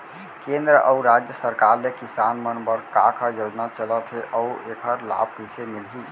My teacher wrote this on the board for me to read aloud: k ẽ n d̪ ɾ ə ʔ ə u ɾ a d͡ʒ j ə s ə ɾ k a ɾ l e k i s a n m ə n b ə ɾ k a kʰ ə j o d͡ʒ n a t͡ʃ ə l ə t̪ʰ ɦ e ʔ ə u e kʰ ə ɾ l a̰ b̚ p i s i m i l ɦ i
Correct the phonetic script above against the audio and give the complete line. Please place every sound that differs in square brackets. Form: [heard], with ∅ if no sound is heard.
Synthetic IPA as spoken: k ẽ n d̪ ɾ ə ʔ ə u ɾ a d͡ʒ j ə s ə ɾ k a ɾ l e k i s a n m ə n b ə ɾ k a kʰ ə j o d͡ʒ n a t͡ʃ ə l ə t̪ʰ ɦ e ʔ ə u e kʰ ə ɾ l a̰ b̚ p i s [e] m i l ɦ i